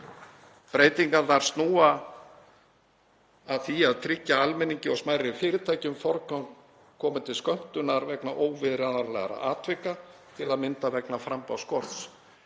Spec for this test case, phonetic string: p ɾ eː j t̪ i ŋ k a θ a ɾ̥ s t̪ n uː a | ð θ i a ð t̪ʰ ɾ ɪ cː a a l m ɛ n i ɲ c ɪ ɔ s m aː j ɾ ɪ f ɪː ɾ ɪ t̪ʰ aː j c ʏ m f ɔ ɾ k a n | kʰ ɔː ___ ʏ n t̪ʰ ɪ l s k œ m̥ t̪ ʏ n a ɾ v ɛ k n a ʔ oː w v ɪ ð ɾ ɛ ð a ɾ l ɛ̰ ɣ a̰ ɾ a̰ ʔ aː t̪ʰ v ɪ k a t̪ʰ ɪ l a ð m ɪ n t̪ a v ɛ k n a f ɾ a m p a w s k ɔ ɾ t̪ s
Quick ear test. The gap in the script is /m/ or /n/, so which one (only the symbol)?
m